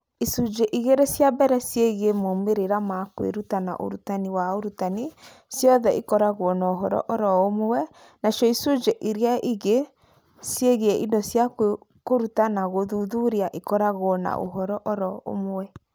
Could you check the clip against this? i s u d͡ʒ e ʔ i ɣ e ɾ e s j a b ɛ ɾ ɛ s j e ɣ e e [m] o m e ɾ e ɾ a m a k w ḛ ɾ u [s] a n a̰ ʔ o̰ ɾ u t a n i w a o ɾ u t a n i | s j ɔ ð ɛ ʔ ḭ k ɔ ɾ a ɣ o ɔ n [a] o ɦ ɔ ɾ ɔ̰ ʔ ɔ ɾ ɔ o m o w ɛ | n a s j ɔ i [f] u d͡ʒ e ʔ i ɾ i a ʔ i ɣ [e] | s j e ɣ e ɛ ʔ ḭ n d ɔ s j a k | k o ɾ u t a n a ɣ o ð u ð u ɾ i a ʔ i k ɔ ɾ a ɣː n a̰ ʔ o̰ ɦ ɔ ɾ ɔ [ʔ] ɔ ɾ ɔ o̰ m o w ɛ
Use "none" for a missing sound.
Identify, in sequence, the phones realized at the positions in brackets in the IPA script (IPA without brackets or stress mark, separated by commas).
m, t, a, s, e, ʔ